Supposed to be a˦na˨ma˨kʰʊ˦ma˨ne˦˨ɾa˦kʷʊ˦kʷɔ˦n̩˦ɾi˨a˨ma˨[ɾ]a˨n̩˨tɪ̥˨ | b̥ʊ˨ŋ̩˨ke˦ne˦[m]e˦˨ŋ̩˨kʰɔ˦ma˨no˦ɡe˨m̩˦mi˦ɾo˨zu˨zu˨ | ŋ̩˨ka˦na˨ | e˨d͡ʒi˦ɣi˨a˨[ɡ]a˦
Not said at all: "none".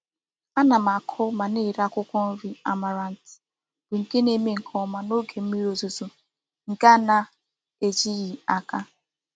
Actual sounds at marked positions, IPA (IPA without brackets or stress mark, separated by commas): ɾ, m, k